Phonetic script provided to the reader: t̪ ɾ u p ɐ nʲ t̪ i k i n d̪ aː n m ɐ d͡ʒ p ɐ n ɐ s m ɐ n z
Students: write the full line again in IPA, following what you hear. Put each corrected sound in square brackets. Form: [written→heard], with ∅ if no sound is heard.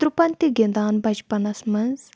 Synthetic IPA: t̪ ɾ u p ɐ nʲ t̪ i [k→ɡ] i n d̪ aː n [m→b] ɐ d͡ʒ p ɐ n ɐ s m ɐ n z

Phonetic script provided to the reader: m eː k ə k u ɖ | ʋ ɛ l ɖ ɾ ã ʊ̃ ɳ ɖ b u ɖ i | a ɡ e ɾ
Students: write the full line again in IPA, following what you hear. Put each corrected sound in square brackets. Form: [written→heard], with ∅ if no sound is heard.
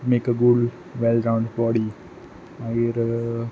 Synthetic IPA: m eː k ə [k→ɡ] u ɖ | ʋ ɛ l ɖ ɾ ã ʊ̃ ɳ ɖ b [u→ɔ] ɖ i | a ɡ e ɾ

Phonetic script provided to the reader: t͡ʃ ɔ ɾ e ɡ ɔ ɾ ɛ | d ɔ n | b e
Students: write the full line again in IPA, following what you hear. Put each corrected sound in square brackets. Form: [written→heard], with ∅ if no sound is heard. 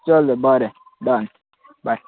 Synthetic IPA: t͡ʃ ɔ [ɾ→l] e [ɡ→b] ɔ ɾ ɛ | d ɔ n | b [e→a]

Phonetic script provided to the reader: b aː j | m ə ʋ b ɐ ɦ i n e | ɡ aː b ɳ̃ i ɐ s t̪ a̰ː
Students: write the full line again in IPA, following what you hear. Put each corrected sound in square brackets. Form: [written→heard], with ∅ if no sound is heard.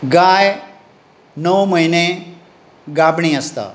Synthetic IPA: [b→ɡ] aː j | [m→n] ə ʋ [b→m] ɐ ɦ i n e | ɡ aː b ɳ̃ i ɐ s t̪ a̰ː

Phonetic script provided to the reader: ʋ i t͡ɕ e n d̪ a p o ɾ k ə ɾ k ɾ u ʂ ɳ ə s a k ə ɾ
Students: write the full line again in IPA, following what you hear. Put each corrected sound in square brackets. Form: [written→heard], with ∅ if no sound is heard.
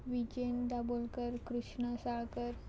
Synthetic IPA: ʋ i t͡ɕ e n d̪ a [p→b] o [ɾ→l] k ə ɾ k ɾ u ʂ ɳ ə s a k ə ɾ

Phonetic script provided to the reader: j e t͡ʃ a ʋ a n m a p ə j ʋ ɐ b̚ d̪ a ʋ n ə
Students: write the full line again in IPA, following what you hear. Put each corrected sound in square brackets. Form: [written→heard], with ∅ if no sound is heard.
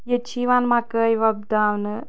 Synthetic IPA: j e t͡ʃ [a→i] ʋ a n m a [p→k] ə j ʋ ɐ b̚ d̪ a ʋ n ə

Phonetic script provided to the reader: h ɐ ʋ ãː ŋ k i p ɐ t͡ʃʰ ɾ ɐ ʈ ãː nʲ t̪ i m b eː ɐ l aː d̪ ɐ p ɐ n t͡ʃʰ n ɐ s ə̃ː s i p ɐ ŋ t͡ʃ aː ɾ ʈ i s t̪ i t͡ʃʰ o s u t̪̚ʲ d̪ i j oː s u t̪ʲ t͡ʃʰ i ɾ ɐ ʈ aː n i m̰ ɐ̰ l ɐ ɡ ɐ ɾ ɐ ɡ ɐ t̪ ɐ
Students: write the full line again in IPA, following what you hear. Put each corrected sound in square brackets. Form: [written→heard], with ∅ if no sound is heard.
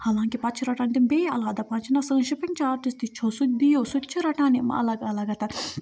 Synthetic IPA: h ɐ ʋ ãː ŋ k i p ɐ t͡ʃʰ ɾ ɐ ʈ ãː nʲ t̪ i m b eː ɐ l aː d̪ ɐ p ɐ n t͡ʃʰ n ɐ s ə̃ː [s→ʃ] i p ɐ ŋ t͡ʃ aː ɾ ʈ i s t̪ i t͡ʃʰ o s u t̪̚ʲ d̪ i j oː s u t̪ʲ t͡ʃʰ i ɾ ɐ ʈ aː n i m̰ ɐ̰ l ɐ ɡ ɐ [ɾ→l] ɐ ɡ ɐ t̪ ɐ

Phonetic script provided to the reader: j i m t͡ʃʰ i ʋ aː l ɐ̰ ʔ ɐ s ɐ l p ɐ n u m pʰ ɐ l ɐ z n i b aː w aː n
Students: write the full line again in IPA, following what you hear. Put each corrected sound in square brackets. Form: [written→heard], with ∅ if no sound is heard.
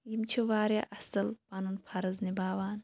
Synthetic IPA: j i m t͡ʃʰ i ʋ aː [l→ɾ] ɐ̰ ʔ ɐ s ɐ l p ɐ n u [m→n] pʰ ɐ [l→ɾ] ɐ z n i b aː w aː n

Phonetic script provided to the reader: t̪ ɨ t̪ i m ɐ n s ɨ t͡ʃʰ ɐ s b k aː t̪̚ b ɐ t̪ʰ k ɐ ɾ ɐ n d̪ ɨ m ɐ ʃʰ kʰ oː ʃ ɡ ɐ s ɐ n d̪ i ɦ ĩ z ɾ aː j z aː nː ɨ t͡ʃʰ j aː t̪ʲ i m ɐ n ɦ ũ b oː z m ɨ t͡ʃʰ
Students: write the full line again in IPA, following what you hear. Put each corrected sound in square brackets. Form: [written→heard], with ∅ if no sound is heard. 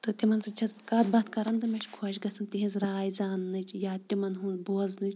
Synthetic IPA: t̪ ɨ t̪ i m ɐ n s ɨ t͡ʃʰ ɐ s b k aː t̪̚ b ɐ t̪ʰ k ɐ ɾ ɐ n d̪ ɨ m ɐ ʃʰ kʰ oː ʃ ɡ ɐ s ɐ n [d̪→t̪] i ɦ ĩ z ɾ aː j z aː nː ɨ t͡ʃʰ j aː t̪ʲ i m ɐ n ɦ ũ b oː z [m→n] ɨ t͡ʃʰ

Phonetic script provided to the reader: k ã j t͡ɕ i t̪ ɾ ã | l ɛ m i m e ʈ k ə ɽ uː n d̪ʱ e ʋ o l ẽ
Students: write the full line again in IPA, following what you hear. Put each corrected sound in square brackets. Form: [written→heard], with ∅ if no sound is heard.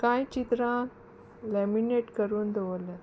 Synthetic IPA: k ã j t͡ɕ i t̪ ɾ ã | l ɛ m i [m→n] e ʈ k ə [ɽ→ɾ] uː n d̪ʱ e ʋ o l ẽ

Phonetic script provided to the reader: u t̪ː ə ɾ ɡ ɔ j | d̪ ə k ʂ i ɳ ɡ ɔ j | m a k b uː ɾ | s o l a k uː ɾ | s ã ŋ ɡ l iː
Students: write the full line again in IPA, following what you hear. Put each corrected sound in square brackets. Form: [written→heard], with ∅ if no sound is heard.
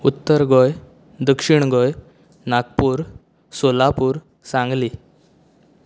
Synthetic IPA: u t̪ː ə ɾ ɡ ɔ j | d̪ ə k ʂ i ɳ ɡ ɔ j | [m→n] a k [b→p] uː ɾ | s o l a [k→p] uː ɾ | s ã ŋ ɡ l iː

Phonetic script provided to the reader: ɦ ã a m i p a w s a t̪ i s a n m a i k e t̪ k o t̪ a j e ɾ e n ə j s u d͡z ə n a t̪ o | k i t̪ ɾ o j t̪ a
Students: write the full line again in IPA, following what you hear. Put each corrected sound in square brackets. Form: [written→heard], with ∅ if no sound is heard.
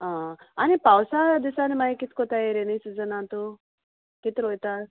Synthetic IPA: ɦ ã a [m→n] i p a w s a [t̪→d̪] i s a n m a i k [e→i] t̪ k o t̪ a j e ɾ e n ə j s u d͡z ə n a t̪ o | k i t̪ ɾ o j t̪ a

